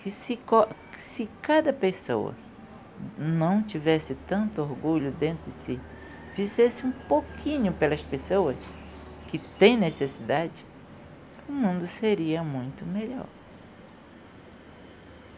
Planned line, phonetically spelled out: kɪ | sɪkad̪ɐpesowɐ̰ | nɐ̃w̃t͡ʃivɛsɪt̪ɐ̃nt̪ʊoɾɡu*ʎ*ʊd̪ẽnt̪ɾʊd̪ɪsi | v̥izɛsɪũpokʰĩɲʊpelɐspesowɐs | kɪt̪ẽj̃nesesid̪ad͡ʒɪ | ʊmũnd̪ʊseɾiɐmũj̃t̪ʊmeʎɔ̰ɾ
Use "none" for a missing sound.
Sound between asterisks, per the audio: ʎ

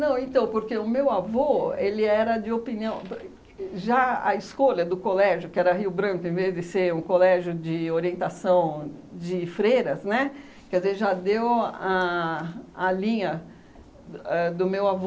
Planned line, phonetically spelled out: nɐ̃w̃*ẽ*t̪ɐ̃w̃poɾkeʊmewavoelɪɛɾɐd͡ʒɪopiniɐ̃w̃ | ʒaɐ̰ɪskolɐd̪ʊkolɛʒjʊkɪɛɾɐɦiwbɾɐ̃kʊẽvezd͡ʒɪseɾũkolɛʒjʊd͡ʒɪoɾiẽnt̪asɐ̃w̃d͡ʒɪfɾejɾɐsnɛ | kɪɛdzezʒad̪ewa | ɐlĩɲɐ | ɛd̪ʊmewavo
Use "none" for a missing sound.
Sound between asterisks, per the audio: ẽ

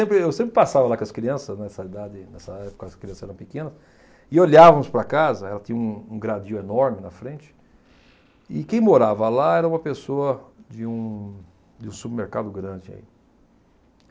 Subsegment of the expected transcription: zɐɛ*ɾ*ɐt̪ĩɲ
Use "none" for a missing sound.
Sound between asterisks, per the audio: l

